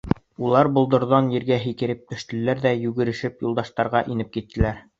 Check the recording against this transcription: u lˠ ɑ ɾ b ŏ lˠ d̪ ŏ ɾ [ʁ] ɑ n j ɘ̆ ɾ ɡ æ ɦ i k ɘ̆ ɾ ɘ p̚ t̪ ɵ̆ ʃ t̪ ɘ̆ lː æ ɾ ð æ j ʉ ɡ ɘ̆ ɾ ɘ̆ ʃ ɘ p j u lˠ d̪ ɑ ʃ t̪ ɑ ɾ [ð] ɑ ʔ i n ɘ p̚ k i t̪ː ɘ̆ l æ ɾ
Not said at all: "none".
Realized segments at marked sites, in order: ð, ʁ

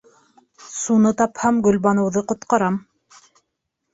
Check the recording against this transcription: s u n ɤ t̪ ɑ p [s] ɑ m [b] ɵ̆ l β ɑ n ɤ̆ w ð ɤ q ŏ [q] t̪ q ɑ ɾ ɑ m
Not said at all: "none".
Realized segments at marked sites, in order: h, ɡ, none

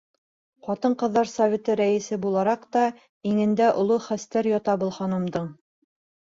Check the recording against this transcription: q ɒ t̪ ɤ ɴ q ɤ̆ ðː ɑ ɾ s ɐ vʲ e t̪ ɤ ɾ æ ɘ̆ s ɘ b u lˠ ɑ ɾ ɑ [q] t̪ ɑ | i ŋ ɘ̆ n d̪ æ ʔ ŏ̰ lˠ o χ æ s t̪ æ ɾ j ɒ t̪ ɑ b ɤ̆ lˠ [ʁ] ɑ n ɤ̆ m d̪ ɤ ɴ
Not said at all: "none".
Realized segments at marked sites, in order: q, χ

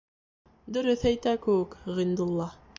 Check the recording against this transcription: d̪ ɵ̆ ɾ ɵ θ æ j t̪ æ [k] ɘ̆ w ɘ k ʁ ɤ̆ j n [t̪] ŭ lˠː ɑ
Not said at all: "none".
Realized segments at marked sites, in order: k, d̪

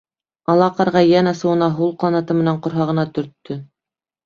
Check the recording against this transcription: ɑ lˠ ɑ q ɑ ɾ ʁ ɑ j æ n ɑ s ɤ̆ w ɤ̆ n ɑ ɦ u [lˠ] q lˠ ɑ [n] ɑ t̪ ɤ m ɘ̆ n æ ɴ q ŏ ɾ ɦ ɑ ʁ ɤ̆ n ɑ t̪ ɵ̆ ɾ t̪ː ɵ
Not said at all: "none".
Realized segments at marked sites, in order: lˠ, n

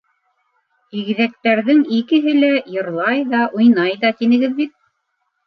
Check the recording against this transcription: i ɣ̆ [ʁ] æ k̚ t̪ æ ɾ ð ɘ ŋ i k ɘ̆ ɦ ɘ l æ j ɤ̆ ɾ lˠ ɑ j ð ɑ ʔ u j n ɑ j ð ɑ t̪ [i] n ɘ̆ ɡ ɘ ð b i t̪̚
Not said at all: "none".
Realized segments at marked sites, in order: ð, i

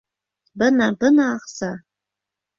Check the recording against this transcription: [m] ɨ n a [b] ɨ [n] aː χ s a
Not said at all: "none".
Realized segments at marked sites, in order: b, b, n

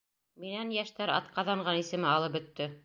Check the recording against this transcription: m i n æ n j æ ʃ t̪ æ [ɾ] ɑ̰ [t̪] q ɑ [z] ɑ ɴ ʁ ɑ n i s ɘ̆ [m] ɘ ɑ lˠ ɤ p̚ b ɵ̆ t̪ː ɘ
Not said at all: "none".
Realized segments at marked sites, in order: ɾ, t̪, ð, m

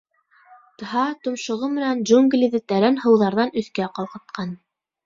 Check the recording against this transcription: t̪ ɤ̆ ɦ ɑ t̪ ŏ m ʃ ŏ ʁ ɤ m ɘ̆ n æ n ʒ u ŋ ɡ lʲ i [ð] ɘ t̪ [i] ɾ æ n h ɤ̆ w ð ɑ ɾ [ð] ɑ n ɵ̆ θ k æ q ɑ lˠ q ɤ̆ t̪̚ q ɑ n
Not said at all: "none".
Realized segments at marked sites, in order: ð, æ, ð

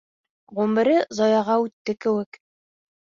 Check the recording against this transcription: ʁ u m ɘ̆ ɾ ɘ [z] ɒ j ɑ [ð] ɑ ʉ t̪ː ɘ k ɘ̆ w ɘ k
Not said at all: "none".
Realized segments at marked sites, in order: z, ʁ

